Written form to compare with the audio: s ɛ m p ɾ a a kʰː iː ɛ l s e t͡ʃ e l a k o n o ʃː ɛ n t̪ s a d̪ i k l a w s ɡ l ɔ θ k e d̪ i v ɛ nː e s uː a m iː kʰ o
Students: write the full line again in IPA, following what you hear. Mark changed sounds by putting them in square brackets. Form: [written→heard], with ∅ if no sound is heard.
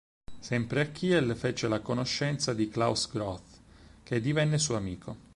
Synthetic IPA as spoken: s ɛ m p ɾ [a→e] a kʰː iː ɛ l [s→f] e t͡ʃ e l a k o n o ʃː ɛ n t̪ s a d̪ i k l a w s ɡ [l→ɾ] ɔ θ k e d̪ i v ɛ nː e s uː a m iː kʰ o